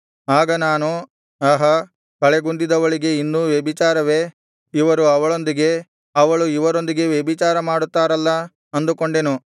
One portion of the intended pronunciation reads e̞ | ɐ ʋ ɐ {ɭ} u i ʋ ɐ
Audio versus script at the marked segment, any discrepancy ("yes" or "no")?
no